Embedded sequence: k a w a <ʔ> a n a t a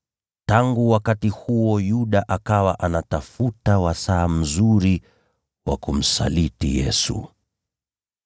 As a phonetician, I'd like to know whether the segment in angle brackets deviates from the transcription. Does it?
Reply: no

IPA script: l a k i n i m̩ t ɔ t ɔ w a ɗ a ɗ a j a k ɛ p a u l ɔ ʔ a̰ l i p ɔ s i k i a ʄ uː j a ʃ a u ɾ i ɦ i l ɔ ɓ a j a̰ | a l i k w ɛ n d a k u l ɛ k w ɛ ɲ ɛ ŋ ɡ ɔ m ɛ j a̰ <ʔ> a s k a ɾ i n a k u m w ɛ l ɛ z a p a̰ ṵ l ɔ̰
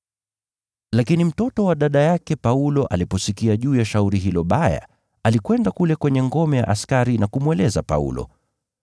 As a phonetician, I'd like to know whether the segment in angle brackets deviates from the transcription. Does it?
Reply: no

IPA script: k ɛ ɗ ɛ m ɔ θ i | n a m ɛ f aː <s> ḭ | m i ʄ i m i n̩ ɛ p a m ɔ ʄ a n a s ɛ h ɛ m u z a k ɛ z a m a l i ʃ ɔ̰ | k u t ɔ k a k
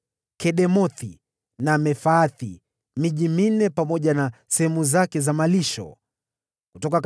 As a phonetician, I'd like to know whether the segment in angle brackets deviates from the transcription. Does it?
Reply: yes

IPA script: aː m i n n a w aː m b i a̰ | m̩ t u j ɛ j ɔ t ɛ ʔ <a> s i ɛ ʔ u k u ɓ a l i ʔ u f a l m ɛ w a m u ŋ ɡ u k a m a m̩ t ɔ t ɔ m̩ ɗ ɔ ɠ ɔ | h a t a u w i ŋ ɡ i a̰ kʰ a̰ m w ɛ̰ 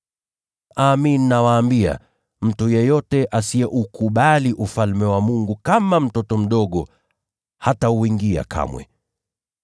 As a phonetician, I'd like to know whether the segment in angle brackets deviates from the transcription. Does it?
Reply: no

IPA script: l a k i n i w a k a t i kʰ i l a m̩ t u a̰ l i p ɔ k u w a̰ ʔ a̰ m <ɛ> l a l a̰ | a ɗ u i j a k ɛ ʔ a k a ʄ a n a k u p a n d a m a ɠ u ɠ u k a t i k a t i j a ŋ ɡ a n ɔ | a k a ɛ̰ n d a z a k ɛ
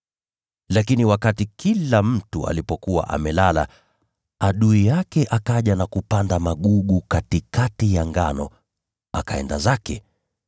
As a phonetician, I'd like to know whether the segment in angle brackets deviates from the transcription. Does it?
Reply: no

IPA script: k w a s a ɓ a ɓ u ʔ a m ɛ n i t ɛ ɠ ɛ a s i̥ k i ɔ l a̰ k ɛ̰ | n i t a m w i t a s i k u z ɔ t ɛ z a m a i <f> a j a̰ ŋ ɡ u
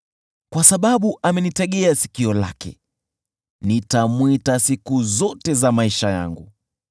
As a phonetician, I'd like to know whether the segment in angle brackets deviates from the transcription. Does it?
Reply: yes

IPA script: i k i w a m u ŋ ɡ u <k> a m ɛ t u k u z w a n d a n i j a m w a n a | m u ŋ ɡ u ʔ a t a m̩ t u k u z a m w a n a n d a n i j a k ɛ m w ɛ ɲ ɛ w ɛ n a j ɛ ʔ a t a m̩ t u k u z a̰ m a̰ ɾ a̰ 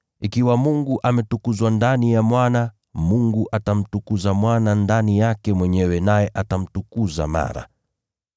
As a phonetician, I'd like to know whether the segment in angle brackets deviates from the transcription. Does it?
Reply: yes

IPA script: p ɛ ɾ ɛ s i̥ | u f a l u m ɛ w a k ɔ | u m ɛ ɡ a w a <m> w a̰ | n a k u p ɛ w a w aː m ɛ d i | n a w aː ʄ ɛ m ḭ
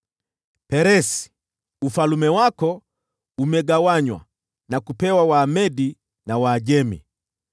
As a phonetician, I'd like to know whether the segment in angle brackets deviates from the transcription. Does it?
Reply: yes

